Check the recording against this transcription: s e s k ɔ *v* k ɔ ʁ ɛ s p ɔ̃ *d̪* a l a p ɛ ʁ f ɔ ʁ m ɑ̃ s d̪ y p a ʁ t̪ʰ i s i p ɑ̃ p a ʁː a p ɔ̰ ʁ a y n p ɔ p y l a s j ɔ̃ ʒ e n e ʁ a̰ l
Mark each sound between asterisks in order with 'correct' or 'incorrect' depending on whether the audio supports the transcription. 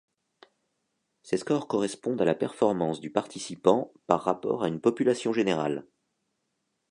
incorrect: ʁ, correct

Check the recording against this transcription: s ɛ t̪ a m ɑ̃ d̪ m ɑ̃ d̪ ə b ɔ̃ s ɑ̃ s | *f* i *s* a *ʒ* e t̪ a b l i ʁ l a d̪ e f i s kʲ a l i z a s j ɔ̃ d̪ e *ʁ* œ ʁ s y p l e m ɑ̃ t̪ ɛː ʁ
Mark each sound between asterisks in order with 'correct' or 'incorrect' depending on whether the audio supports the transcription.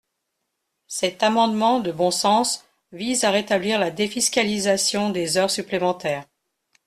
incorrect: v, incorrect: z, incorrect: ʁ, incorrect: z

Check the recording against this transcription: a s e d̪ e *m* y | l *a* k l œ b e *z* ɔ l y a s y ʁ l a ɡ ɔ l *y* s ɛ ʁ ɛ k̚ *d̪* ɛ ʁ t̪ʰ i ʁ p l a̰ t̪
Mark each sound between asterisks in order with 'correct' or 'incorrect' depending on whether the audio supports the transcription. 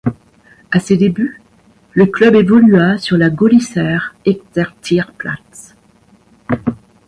incorrect: b, incorrect: ə, incorrect: v, incorrect: i, incorrect: t̪

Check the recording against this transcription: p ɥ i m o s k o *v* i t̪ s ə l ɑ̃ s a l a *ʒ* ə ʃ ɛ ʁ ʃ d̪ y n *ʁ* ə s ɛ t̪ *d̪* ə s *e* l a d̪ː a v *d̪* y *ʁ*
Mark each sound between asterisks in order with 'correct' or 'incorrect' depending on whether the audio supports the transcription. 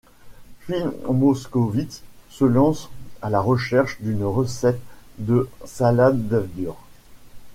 correct, incorrect: ʁ, correct, correct, incorrect: a, correct, correct

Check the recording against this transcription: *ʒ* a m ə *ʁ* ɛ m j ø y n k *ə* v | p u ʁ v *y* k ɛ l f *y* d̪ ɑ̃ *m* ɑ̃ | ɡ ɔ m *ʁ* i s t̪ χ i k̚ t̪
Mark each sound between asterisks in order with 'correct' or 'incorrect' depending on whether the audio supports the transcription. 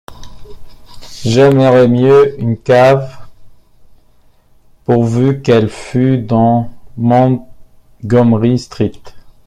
correct, correct, incorrect: a, correct, correct, correct, correct

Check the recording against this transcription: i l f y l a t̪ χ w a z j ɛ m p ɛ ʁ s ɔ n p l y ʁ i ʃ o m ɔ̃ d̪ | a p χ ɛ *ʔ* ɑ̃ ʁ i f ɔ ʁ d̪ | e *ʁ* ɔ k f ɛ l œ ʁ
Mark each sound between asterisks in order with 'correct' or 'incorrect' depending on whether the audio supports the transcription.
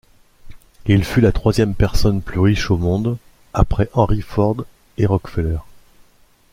correct, correct

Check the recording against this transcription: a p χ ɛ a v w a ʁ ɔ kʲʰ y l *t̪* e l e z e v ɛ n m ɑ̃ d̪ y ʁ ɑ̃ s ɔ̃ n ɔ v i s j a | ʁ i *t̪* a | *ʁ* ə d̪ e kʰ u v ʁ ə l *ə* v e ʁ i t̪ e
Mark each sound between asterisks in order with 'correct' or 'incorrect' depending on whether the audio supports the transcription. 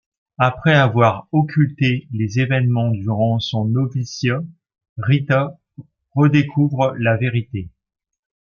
correct, correct, correct, incorrect: a

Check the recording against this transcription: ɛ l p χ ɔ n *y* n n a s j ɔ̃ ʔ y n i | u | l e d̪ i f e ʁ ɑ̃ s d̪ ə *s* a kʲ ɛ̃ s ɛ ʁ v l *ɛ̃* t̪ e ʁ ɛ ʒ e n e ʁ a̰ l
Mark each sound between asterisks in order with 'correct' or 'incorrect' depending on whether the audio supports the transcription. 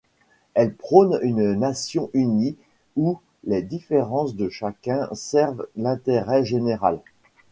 correct, incorrect: ʃ, correct

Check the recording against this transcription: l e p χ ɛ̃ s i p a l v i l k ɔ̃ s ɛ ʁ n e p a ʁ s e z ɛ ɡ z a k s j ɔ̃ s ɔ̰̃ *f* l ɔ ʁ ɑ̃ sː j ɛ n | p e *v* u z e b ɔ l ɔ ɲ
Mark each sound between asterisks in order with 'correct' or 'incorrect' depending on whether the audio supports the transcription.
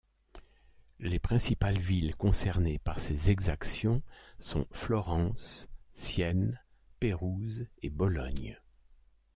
correct, incorrect: ʁ

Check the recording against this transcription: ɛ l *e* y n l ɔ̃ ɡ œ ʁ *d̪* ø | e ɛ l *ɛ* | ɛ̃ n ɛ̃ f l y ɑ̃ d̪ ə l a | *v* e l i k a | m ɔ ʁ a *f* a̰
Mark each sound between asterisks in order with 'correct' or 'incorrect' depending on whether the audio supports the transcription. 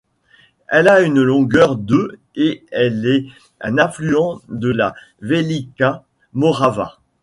incorrect: a, correct, correct, correct, incorrect: v

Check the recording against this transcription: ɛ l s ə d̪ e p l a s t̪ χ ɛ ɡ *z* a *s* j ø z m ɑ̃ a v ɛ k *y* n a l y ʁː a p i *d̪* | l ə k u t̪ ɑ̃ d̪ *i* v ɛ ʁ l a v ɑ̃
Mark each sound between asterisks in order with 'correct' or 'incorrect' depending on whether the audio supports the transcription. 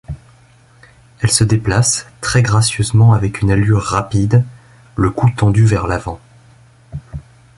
incorrect: ʁ, correct, correct, correct, incorrect: y

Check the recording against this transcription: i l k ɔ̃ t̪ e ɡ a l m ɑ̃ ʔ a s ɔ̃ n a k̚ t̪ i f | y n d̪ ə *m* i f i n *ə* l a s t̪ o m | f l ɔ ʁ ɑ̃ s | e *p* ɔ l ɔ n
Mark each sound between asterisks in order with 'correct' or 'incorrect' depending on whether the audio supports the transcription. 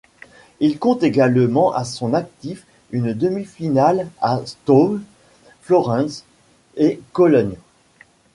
correct, incorrect: a, incorrect: k

